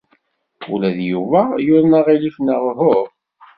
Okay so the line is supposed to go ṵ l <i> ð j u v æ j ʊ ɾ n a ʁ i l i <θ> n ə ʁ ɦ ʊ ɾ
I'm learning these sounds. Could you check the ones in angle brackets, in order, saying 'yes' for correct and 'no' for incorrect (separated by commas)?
no, no